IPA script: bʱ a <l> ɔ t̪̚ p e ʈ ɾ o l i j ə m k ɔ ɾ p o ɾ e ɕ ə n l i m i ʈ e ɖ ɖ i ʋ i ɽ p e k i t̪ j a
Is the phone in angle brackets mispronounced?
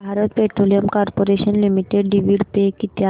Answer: yes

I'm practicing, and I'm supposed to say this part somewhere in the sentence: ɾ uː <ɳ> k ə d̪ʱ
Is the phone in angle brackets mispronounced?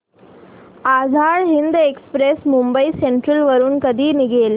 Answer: yes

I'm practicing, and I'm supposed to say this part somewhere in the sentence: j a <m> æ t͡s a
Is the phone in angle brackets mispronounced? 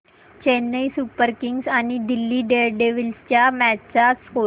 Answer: no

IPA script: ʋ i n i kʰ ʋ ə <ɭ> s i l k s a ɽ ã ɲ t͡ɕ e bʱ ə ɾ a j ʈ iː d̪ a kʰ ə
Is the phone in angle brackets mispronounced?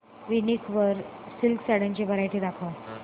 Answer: yes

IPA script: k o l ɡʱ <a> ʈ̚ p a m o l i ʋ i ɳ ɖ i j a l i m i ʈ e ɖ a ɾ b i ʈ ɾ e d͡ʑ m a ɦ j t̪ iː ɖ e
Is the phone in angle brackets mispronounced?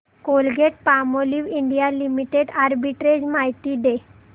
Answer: yes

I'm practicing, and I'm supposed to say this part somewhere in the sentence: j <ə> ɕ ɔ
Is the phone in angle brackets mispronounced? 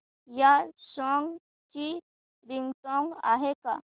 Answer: yes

